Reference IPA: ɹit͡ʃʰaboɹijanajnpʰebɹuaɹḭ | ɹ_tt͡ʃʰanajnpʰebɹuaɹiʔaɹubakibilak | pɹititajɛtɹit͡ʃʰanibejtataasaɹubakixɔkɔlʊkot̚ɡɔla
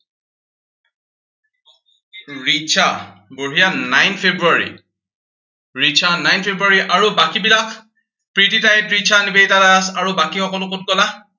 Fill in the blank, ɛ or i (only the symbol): i